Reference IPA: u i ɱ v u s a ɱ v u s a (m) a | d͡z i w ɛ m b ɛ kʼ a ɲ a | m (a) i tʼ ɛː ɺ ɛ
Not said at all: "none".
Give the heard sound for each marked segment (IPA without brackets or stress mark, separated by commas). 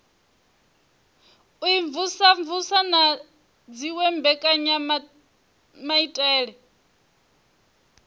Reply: n, a